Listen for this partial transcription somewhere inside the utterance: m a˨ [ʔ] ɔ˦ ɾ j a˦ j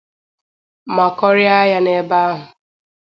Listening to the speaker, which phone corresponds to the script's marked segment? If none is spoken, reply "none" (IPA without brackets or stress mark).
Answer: k